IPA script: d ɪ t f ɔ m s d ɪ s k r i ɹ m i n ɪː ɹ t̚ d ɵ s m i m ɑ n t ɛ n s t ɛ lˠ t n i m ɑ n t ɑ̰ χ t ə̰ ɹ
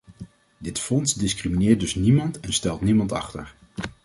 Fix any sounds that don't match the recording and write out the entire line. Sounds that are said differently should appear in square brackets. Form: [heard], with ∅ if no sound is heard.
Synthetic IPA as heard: d ɪ t f ɔ [n] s d ɪ s k r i [∅] m i n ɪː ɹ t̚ d ɵ s [n] i m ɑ n t ɛ n s t ɛ lˠ t n i m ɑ n t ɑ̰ χ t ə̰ ɹ